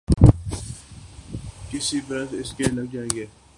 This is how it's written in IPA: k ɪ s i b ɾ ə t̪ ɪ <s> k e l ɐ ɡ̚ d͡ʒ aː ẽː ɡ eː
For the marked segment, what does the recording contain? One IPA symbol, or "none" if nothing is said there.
s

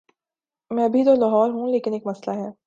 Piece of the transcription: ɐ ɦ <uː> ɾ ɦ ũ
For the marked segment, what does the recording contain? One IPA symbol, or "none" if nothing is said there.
ɔː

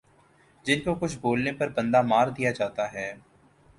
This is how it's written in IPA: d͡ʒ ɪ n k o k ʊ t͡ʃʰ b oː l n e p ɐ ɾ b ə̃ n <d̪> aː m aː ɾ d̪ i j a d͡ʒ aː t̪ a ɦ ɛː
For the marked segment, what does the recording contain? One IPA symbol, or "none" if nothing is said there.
d̪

